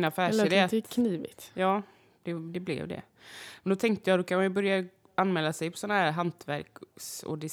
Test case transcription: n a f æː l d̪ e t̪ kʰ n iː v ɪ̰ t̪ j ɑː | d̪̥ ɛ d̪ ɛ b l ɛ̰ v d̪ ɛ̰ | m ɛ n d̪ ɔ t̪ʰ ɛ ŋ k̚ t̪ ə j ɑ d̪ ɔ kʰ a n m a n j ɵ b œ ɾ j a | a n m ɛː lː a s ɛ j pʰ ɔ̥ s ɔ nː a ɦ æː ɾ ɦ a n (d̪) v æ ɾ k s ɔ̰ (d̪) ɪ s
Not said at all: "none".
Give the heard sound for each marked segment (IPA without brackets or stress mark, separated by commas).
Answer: t̪, d̪